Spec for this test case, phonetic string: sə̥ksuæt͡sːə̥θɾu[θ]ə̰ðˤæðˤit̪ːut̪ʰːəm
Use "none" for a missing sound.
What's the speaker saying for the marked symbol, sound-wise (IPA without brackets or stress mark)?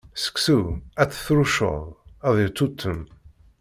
ʃ